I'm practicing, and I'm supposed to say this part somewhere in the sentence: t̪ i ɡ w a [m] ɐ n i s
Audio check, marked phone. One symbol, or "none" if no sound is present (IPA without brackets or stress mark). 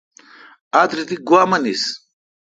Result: m